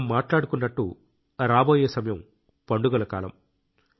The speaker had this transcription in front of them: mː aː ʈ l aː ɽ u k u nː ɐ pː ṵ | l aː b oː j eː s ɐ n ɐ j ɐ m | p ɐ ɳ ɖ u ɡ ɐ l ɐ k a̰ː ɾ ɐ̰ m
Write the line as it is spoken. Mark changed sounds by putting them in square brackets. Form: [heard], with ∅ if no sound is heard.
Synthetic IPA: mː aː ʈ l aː ɽ u k u nː ɐ [ʈː] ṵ | [ɾ] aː b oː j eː s ɐ [m] ɐ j ɐ m | p ɐ ɳ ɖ u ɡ ɐ l ɐ k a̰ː [l] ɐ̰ m

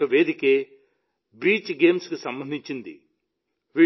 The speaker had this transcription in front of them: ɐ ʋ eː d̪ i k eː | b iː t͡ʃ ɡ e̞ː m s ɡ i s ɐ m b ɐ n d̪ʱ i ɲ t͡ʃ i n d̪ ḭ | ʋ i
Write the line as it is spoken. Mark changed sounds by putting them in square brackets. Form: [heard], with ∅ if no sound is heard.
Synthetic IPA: ɐ ʋ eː d̪ i k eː | b iː t͡ʃ ɡ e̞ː m s [k] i s ɐ m b ɐ n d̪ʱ i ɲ t͡ʃ i n d̪ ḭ | ʋ i

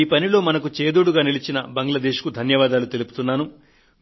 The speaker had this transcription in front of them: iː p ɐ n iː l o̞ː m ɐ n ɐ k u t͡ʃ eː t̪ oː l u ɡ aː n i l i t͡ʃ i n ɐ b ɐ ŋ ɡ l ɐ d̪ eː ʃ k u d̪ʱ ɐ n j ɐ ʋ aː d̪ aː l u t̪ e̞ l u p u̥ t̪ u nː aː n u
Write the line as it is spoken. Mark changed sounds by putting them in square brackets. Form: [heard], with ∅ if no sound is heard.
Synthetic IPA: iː p ɐ n [i] l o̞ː m ɐ n ɐ k u t͡ʃ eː [d̪] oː [ɽ] u ɡ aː n i l i t͡ʃ i n ɐ b ɐ ŋ ɡ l ɐ d̪ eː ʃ k u d̪ʱ ɐ n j ɐ ʋ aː d̪ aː l u t̪ e̞ l u p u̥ t̪ u nː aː n u

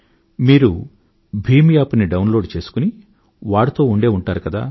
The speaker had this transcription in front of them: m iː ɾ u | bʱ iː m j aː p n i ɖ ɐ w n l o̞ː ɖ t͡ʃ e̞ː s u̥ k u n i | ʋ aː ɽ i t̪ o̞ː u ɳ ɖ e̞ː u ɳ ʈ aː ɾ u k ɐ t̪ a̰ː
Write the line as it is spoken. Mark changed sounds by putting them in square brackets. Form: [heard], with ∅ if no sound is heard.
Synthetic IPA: m iː ɾ u | bʱ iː m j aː p n i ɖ ɐ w n l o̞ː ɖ t͡ʃ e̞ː s u̥ k u n i | ʋ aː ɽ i t̪ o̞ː u ɳ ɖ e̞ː u ɳ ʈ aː ɾ u k ɐ [d̪] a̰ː

